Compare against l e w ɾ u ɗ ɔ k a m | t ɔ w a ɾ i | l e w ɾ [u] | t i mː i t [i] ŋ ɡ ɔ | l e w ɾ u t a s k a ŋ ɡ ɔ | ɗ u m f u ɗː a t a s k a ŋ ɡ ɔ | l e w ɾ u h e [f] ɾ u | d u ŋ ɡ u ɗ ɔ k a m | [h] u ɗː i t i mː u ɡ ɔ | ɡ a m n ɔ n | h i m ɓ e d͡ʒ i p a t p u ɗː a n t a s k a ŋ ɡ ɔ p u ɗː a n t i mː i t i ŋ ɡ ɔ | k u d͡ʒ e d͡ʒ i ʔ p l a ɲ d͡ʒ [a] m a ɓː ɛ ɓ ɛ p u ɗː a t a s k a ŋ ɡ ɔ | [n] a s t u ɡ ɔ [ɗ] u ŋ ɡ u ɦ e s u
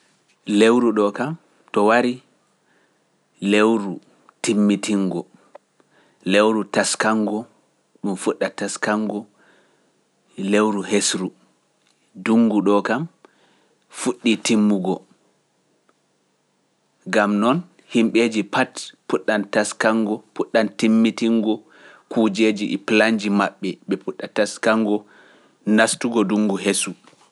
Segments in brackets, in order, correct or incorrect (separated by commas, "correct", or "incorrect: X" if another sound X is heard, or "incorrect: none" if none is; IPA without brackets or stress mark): correct, correct, incorrect: s, incorrect: f, incorrect: i, correct, incorrect: d